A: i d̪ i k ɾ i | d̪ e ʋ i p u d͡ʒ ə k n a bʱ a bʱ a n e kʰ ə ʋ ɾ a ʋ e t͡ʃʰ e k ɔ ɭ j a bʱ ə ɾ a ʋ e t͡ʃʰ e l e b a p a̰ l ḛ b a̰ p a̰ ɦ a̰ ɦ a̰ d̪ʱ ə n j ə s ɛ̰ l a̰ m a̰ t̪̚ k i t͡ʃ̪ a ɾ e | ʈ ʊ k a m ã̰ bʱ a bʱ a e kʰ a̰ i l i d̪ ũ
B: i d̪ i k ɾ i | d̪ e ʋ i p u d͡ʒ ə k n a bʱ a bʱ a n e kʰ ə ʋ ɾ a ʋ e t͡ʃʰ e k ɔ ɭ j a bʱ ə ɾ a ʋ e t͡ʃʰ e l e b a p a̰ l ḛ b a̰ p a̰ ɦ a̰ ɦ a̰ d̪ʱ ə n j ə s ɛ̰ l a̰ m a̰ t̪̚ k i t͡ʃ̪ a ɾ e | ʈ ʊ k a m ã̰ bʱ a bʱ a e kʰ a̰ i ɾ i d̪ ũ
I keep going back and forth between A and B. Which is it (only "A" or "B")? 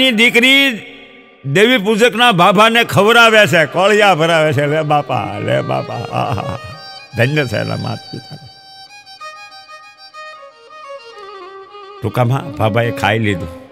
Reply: A